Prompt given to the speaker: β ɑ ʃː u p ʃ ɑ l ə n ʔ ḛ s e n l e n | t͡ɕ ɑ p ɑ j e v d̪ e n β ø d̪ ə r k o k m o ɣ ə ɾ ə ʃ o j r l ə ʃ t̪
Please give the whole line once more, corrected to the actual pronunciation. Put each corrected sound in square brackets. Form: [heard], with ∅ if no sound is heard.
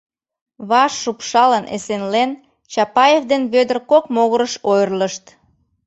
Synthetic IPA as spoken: β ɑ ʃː u p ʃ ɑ l ə n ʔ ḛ s e n l e n | t͡ɕ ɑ p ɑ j e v d̪ e n β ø d̪ ə r k o k m o ɣ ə ɾ ə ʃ o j r l ə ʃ t̪